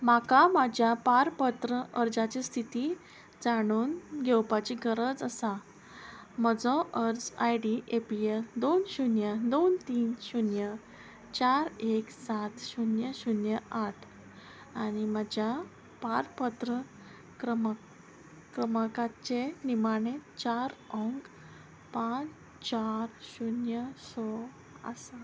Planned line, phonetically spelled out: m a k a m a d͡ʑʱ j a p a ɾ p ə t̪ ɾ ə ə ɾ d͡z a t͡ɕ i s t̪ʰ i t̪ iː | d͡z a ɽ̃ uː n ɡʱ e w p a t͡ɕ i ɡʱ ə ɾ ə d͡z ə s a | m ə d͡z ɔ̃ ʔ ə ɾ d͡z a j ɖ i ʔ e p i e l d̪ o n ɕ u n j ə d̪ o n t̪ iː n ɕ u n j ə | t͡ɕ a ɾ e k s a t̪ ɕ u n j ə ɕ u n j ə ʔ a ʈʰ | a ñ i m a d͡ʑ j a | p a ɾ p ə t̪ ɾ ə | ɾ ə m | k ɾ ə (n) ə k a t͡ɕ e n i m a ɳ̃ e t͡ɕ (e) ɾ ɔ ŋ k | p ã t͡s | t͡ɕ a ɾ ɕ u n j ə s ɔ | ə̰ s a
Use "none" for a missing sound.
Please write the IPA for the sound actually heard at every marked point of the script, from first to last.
m, a

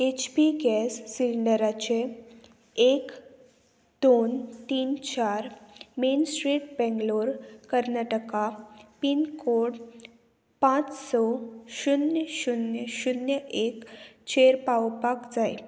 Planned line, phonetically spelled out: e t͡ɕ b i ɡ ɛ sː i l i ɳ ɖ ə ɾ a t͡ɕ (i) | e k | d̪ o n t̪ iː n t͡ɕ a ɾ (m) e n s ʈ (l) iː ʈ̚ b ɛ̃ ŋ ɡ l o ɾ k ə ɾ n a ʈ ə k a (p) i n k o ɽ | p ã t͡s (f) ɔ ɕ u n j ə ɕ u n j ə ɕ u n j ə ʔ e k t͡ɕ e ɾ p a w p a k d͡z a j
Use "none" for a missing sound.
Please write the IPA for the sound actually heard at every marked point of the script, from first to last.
e, m, ɾ, p, s

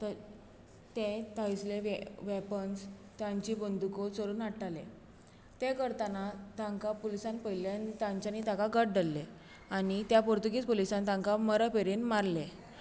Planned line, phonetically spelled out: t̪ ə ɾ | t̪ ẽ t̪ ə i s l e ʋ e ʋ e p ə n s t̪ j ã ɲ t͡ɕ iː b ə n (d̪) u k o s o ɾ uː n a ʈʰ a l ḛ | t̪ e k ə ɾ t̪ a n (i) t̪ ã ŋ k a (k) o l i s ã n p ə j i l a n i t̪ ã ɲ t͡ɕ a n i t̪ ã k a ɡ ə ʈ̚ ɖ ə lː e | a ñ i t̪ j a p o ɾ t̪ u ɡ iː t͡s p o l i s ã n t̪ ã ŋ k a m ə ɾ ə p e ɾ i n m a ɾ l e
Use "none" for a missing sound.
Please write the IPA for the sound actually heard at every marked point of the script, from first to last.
d̪, a, p

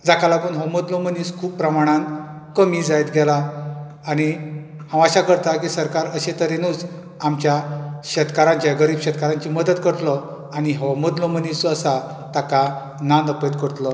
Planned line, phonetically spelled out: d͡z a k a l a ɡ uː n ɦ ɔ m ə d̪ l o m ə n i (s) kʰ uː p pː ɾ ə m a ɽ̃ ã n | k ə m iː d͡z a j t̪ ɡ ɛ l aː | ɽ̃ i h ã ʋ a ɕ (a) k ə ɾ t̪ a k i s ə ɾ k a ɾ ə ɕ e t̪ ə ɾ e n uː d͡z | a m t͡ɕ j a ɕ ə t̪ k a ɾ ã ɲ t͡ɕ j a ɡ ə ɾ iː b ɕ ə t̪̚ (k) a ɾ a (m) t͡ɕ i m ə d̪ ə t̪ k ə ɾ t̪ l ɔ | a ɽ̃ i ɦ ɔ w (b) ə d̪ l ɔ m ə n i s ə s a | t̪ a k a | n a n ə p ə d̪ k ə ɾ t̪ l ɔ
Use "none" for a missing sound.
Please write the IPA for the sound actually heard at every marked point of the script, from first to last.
s, a, k, ɲ, m

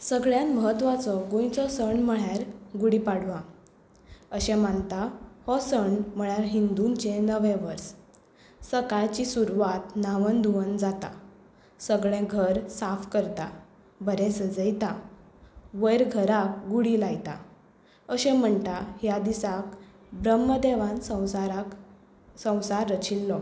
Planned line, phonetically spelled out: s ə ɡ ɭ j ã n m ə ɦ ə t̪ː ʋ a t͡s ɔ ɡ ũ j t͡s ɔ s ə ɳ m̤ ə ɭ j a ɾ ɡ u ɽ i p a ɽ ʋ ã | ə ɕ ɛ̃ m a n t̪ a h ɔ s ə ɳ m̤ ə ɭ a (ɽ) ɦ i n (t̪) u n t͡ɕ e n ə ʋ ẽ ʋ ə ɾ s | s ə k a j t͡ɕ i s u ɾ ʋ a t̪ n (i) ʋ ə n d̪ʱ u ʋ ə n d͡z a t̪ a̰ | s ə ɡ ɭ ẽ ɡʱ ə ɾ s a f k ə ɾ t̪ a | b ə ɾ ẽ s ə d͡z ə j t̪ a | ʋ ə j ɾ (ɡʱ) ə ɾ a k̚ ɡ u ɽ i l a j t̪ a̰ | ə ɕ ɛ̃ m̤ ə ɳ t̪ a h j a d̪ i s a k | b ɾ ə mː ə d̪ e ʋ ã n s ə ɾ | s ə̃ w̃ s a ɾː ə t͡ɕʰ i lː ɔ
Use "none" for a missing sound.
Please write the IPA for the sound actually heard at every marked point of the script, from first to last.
ɾ, d̪, a, ɡʱ

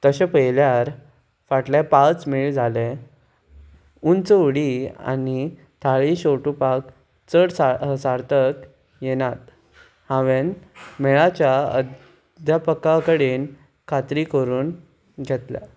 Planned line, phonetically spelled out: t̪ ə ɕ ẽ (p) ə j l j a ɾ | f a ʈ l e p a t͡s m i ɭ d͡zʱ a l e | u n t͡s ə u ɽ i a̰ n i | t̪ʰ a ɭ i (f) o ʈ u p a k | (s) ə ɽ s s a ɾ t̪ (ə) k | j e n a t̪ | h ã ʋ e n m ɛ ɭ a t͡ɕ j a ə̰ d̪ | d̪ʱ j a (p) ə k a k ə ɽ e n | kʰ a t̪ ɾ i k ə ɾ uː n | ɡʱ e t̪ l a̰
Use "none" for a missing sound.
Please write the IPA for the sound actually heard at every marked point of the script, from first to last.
p, ɕ, t͡s, ə, p

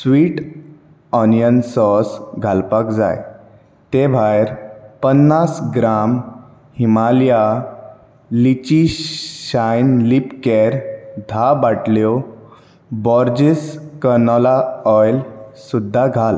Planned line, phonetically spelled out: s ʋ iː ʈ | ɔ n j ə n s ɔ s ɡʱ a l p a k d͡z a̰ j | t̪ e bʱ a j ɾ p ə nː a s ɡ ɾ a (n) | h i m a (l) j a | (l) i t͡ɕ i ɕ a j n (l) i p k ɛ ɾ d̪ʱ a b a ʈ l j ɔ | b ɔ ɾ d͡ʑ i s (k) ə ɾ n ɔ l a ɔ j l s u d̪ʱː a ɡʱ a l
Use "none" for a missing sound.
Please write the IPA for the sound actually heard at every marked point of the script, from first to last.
m, l, l, l, k

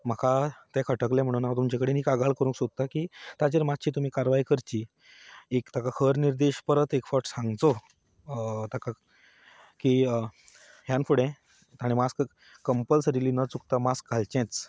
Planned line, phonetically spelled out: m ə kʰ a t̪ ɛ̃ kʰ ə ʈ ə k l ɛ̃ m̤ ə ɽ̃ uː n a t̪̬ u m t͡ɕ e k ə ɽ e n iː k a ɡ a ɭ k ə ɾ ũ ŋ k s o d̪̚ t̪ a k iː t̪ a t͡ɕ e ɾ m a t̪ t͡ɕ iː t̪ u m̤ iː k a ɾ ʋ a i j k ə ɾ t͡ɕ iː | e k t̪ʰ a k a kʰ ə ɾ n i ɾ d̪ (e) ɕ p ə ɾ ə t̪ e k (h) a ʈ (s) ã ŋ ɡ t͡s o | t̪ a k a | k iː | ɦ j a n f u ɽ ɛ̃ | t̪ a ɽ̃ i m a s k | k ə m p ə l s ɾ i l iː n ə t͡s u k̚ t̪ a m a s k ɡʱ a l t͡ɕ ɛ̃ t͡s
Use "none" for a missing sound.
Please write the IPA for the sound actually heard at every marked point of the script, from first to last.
e, f, s

